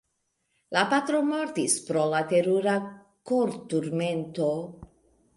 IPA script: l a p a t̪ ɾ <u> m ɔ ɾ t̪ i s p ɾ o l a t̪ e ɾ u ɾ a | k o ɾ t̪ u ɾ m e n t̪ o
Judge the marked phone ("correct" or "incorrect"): incorrect